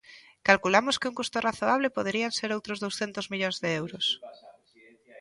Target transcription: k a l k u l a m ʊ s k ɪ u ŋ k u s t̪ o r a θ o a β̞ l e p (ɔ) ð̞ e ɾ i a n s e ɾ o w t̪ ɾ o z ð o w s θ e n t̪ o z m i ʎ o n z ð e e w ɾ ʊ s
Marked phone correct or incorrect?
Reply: incorrect